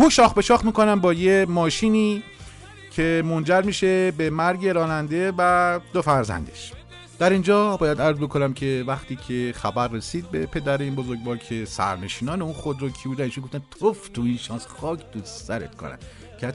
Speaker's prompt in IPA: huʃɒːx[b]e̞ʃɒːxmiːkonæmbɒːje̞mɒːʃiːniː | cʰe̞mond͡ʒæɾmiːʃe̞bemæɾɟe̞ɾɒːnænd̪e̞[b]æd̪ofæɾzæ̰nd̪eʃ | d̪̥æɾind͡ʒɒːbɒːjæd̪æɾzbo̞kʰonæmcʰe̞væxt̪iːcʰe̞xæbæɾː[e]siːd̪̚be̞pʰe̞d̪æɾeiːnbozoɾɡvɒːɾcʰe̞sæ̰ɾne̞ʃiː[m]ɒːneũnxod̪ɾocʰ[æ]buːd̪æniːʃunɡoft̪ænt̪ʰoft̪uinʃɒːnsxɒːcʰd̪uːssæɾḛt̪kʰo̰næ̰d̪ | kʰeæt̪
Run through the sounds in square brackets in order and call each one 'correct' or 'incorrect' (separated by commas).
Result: correct, incorrect, correct, incorrect, incorrect